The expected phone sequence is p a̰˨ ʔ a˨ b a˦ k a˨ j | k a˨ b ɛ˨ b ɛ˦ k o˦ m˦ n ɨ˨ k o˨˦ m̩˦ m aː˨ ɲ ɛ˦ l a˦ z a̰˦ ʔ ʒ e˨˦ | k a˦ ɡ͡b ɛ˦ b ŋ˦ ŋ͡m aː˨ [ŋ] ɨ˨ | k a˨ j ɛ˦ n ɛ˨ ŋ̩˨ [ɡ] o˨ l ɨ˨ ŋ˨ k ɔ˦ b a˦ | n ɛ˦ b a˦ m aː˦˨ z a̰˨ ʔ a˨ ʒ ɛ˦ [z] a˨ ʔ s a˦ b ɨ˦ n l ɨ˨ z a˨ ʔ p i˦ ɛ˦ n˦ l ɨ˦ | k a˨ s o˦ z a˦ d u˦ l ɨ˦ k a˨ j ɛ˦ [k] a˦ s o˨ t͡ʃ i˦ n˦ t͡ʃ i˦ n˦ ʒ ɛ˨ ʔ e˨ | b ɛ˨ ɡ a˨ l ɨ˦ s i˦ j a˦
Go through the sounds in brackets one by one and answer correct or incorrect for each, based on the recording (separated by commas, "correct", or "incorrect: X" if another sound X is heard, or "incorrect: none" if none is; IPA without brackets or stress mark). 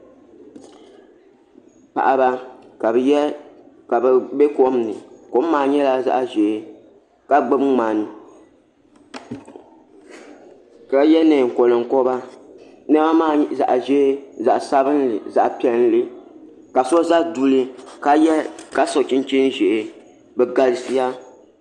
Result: incorrect: n, incorrect: k, correct, correct